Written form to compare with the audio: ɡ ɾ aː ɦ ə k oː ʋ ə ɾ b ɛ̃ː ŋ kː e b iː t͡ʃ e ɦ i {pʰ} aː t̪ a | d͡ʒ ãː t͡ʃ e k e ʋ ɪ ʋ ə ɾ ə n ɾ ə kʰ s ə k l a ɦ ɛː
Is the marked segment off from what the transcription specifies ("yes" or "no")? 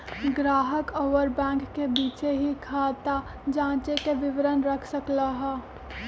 yes